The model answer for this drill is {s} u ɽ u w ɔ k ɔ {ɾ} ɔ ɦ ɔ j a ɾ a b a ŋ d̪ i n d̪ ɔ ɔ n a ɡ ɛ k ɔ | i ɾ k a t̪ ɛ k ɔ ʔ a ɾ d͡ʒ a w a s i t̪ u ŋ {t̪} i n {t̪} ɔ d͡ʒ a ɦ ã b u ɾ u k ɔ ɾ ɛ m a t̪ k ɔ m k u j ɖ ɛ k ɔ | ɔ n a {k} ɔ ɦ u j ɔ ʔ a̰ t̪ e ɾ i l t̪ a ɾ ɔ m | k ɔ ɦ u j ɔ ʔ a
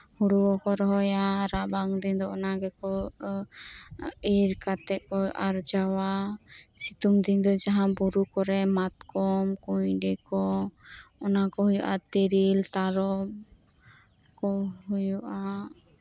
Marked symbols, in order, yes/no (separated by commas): no, yes, no, no, yes